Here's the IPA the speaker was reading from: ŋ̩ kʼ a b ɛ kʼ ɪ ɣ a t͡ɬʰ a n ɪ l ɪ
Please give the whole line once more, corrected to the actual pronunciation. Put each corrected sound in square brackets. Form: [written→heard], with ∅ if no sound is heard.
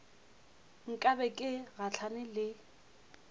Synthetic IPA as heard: ŋ̩ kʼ a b ɛ kʼ ɪ ɣ a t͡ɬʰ a n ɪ l ɪ